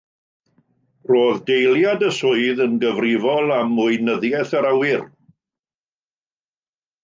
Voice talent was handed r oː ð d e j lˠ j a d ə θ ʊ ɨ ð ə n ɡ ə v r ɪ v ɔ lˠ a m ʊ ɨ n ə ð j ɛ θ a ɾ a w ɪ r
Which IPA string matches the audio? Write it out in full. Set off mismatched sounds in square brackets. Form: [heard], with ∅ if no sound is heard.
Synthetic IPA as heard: r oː ð d e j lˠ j a d ə [s] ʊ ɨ ð ə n ɡ ə v r ɪ v ɔ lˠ a m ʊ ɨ n ə ð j ɛ θ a ɾ a w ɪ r